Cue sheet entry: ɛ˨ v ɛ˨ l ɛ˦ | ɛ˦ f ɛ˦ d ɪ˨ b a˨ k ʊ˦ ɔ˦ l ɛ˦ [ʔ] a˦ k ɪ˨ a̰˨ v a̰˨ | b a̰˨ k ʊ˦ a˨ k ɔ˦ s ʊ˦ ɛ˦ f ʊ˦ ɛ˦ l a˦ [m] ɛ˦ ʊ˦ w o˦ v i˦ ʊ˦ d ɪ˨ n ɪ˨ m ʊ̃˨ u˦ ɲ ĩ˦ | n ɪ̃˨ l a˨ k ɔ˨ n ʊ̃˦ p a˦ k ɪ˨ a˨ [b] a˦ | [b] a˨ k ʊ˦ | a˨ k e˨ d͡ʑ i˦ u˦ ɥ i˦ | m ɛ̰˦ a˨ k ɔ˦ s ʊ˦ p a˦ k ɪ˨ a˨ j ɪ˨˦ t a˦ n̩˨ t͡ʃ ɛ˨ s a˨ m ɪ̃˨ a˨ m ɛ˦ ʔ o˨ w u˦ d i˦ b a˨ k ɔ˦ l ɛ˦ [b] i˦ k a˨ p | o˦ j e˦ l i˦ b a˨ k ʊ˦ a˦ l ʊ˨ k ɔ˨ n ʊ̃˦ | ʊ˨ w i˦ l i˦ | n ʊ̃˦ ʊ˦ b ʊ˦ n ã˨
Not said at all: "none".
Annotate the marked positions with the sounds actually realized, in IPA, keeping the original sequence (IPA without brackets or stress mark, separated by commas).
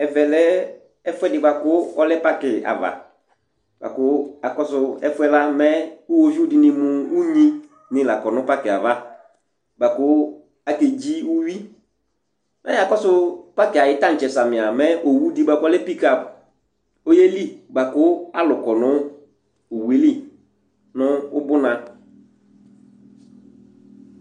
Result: p, m, v, b, p